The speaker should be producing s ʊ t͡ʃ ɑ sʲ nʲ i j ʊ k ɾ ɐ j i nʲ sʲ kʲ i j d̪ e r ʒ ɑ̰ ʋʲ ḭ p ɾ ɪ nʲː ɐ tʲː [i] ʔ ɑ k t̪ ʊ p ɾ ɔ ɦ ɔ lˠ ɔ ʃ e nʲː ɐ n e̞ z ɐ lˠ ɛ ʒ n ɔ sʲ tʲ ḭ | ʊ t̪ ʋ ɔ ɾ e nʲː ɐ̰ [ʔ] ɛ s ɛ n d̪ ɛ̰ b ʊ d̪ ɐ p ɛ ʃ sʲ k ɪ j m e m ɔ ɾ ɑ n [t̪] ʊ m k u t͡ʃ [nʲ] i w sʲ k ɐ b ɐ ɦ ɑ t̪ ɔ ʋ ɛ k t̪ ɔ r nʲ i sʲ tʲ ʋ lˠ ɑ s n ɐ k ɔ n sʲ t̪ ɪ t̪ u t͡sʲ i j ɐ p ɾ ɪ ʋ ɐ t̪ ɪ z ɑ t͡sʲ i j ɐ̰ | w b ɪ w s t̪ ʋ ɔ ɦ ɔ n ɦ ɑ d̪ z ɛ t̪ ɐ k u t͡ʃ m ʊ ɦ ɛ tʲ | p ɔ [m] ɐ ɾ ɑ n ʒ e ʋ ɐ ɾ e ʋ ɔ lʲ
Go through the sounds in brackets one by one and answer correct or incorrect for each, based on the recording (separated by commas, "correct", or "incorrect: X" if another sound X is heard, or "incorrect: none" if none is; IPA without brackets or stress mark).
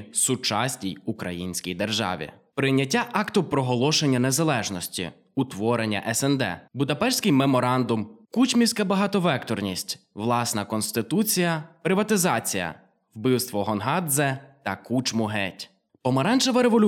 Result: incorrect: a, correct, incorrect: d̪, incorrect: mʲ, correct